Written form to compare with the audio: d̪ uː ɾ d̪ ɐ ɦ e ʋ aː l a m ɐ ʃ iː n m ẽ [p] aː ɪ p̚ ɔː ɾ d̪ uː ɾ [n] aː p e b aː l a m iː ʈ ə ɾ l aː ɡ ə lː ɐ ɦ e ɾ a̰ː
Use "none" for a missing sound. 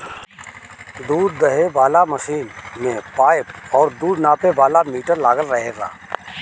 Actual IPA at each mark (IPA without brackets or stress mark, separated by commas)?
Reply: p, n